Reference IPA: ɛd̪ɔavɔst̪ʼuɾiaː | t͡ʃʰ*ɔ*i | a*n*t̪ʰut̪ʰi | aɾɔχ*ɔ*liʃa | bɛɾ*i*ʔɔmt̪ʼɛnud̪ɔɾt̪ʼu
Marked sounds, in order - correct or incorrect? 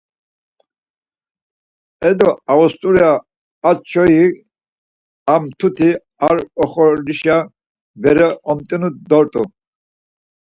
correct, incorrect: m, correct, incorrect: ɛ

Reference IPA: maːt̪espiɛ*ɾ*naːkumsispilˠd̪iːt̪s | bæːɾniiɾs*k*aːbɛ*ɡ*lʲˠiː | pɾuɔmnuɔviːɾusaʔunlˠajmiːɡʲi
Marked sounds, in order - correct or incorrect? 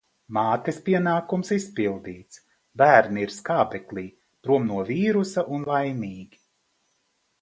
incorrect: none, correct, incorrect: k

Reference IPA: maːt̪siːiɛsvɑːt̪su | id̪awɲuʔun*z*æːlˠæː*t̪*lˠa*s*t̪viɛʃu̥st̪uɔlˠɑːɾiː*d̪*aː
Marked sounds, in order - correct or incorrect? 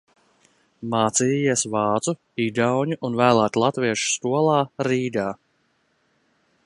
incorrect: v, correct, incorrect: none, correct

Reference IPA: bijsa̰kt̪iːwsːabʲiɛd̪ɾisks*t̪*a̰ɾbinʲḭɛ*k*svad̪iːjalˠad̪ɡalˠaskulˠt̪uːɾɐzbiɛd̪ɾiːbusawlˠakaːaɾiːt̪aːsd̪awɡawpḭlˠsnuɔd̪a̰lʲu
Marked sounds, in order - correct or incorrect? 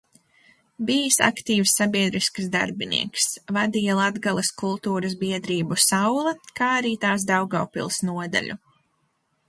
incorrect: d̪, correct

